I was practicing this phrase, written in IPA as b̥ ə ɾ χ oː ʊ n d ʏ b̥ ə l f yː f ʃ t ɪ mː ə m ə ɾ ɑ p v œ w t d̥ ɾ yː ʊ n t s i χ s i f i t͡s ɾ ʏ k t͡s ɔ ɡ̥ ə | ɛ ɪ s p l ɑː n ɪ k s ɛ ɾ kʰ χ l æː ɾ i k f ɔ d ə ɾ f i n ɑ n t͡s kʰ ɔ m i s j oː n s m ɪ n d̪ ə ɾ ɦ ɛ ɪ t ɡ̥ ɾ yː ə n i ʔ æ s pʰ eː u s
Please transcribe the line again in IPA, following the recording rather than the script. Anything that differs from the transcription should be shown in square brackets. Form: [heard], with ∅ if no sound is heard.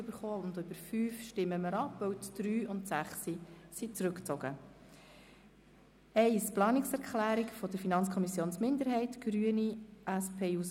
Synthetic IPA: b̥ ə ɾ χ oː ʊ n d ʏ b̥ ə [ɾ] f yː f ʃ t ɪ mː ə m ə ɾ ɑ p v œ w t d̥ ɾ yː ʊ n t s [æ] χ s i [s] i t͡s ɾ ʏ k t͡s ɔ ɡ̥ ə | ɛ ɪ s p l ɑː n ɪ k s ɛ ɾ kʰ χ l æː ɾ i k f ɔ d ə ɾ f i n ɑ n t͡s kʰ ɔ m i s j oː n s m ɪ n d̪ ə ɾ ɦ ɛ ɪ t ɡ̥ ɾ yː ə n i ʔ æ s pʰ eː u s